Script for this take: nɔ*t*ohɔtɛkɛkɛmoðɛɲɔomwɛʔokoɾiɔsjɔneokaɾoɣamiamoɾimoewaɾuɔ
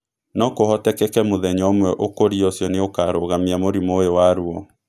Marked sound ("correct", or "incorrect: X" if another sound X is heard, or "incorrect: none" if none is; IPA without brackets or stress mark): incorrect: k